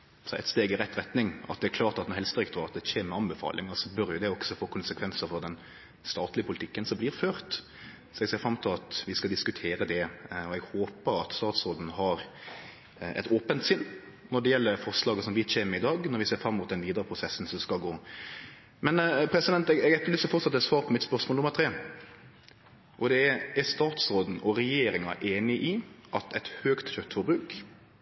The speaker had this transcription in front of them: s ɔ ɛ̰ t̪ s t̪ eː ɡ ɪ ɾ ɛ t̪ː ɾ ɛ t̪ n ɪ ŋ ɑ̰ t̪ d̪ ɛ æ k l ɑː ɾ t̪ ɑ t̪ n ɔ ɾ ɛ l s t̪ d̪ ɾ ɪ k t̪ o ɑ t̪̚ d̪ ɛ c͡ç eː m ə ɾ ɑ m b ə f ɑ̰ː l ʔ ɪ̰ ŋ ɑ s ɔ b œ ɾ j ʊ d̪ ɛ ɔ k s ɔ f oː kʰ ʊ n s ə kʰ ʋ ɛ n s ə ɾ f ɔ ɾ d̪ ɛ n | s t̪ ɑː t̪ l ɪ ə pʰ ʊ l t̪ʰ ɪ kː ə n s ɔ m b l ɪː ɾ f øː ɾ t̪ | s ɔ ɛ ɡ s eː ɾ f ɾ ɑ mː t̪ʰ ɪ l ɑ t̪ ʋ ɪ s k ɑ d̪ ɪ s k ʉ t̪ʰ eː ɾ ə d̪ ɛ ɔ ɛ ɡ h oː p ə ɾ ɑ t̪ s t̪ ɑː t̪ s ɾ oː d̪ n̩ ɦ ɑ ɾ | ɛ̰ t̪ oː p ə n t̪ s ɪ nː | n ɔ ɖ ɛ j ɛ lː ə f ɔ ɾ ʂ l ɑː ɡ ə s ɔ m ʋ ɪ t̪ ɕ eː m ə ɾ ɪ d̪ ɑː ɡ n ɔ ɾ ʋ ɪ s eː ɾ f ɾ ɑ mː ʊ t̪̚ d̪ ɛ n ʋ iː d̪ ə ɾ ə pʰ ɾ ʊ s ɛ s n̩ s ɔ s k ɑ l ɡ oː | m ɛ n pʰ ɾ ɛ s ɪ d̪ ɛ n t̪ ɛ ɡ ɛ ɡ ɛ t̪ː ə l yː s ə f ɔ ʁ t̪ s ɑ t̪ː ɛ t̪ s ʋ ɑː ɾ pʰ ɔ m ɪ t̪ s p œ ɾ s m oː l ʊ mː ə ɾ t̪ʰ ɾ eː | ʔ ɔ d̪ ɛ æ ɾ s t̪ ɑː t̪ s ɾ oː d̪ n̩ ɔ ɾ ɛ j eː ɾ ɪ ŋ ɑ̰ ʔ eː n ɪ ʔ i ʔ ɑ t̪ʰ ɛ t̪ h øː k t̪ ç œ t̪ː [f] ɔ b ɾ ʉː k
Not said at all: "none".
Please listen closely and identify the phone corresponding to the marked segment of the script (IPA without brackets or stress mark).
f